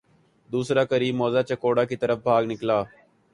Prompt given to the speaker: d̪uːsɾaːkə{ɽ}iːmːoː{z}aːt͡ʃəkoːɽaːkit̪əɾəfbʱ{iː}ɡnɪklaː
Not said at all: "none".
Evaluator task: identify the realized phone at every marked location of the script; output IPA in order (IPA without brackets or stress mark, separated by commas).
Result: ɾ, z, aː